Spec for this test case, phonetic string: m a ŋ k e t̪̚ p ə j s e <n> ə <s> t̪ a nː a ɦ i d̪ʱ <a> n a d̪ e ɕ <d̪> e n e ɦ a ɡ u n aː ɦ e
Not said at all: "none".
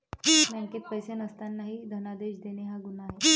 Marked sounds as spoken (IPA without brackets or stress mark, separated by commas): n, s, ə, d̪